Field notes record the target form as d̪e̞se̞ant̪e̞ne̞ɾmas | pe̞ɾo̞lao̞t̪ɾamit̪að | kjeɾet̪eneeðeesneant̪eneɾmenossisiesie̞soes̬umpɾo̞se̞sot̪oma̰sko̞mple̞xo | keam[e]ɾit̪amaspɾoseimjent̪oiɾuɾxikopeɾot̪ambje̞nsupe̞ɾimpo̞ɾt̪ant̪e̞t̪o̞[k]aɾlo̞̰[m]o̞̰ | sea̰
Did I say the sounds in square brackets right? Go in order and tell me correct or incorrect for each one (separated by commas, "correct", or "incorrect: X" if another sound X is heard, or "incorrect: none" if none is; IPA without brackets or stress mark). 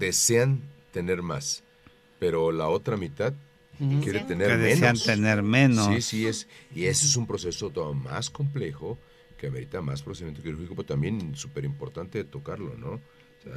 correct, correct, incorrect: n